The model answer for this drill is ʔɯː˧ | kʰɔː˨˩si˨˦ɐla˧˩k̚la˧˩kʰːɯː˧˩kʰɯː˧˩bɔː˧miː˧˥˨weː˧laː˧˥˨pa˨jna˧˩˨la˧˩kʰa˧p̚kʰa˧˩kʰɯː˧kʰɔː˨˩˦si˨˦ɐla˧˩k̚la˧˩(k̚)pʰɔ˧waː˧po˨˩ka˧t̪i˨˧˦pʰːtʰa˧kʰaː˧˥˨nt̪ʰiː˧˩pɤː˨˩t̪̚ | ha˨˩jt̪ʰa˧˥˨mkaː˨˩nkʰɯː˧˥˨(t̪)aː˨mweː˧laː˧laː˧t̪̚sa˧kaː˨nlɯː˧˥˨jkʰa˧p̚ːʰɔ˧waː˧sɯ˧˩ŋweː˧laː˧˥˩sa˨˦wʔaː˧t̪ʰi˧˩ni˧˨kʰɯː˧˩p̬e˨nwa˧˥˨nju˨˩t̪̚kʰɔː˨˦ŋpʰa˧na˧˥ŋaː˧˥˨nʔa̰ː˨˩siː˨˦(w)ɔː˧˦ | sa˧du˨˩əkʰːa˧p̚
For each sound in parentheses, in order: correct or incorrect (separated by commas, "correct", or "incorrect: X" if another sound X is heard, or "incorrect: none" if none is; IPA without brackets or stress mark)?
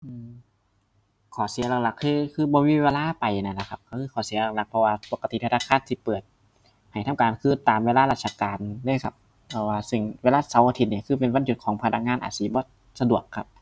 correct, correct, incorrect: b